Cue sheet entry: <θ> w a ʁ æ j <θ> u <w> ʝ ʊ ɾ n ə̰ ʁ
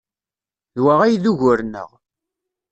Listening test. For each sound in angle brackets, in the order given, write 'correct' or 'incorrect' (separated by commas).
incorrect, incorrect, incorrect